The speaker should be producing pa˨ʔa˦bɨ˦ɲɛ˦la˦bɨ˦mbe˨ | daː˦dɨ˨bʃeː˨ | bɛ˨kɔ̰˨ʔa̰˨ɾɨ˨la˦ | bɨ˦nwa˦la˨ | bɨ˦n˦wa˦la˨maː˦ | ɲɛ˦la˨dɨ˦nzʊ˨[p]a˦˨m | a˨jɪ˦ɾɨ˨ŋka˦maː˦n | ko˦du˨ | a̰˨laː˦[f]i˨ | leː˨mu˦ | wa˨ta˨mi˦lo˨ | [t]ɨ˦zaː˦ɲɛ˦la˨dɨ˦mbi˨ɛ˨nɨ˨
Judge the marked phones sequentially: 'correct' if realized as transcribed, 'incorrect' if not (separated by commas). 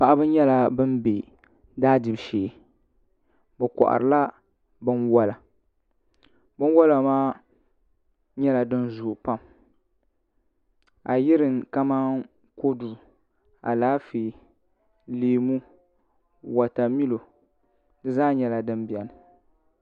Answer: correct, correct, incorrect